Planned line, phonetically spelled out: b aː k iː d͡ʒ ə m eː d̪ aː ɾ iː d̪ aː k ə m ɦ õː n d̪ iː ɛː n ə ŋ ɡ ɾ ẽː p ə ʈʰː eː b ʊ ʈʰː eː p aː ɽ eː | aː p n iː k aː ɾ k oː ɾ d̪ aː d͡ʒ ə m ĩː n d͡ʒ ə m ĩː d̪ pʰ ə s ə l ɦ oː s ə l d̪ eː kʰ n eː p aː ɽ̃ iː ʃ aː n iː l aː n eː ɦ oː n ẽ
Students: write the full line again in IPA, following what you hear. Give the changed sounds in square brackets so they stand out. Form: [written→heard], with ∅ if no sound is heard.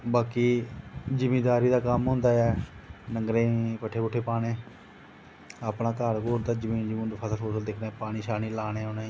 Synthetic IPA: b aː k iː d͡ʒ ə m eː d̪ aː ɾ iː d̪ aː k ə m ɦ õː n d̪ [iː→aː] ɛː n ə ŋ ɡ ɾ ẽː p ə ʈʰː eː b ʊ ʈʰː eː p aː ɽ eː | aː p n [iː→aː] k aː ɾ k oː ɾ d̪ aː d͡ʒ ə m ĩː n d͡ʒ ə m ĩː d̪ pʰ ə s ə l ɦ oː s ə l d̪ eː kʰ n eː p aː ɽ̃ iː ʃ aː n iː l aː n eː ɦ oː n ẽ